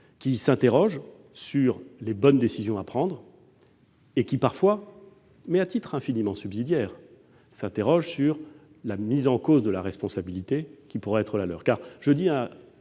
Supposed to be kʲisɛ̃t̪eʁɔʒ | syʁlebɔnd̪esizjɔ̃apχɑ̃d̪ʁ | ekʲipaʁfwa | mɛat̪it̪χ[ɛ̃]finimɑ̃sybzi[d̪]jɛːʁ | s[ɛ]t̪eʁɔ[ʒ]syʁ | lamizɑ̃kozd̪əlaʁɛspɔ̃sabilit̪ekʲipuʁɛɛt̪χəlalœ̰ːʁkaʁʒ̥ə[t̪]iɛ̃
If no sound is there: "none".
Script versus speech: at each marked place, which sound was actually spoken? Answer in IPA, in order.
ɛ̃, d̪, ɛ̃, ʒ, d̪

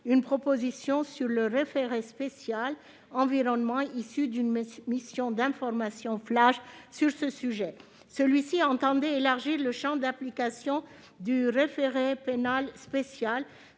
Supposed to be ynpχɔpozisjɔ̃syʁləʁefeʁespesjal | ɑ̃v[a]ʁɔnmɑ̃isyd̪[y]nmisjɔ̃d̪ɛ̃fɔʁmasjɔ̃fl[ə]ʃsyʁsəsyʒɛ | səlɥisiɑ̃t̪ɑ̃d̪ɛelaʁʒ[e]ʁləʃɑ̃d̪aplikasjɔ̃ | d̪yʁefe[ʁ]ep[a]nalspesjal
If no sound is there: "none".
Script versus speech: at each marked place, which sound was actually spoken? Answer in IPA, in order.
i, y, a, i, ʁ, e

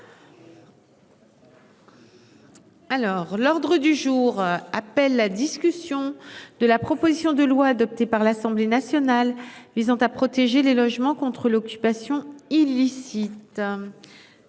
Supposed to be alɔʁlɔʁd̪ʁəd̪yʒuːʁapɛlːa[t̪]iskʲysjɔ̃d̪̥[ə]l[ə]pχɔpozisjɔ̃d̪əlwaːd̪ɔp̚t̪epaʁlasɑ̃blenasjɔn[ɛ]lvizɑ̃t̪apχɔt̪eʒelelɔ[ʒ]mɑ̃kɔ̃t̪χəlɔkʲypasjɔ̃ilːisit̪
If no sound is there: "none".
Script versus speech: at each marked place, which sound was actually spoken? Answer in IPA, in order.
d̪, ə, a, a, ʒ

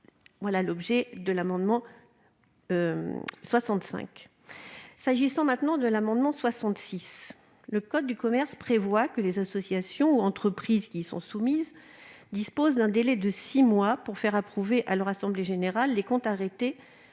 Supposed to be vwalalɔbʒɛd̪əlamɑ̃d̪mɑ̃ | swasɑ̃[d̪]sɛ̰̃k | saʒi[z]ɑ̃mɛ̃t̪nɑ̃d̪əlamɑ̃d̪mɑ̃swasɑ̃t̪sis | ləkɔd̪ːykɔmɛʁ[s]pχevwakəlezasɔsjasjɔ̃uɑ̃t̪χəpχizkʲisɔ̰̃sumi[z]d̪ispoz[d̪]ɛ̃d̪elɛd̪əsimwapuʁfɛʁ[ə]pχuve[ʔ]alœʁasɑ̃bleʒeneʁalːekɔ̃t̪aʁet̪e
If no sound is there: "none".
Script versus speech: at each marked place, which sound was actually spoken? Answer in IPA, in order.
t̪, s, s, z, d̪, a, ʔ

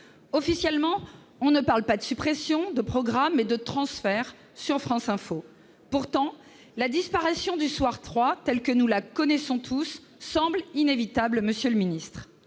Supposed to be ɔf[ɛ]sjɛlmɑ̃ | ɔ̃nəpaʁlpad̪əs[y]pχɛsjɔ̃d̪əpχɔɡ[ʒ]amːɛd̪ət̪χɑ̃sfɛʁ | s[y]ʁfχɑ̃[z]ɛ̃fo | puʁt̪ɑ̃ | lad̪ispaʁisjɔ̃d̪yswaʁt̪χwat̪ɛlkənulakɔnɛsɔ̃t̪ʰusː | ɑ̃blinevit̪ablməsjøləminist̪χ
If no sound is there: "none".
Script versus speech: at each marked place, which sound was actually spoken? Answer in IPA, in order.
i, y, ʁ, y, s

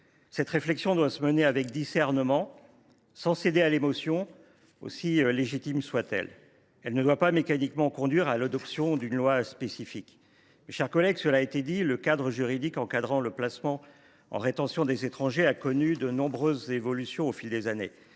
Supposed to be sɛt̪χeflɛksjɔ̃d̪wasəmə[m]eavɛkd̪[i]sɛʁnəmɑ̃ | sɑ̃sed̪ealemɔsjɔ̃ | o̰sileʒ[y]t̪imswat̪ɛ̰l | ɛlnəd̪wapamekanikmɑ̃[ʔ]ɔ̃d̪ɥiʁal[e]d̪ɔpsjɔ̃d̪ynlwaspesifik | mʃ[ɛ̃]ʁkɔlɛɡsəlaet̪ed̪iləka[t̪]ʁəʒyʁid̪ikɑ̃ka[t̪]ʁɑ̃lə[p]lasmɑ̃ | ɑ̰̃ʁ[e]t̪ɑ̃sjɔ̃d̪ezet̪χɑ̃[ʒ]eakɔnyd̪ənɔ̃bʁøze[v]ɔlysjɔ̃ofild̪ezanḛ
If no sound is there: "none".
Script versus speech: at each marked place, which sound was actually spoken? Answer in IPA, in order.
n, i, i, k, a, ɛ, d̪, d̪, p, e, ʒ, v

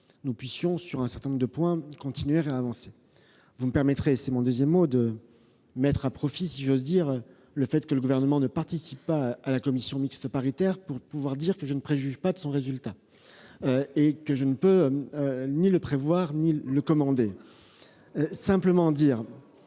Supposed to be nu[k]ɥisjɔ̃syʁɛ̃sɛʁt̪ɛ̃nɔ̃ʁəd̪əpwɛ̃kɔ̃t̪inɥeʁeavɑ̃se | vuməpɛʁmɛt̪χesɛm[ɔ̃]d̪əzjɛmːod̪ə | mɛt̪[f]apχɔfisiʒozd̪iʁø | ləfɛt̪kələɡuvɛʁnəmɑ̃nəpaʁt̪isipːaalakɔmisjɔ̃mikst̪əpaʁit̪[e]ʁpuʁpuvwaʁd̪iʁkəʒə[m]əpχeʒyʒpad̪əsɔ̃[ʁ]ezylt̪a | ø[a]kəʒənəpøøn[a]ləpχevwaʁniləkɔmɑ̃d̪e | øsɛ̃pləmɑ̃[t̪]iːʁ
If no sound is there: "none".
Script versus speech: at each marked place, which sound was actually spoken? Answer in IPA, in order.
p, ɔ̃, χ, ɛ, n, ʁ, e, i, d̪

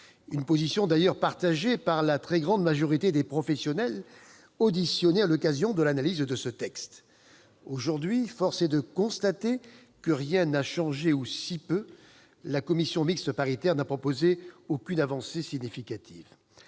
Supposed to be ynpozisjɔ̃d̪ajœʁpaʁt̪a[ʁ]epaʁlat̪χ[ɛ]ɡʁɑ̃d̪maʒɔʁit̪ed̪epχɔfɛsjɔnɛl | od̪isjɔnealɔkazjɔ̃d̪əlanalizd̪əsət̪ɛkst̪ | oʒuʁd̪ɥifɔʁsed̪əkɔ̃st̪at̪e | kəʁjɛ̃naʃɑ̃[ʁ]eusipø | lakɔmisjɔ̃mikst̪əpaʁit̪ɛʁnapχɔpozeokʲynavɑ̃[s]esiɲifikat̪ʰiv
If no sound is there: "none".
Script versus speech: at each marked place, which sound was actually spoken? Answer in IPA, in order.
ʒ, ɛ, ʒ, s

